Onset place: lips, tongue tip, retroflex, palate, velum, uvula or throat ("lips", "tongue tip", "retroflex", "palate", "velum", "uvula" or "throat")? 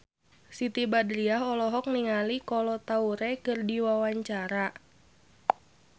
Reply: tongue tip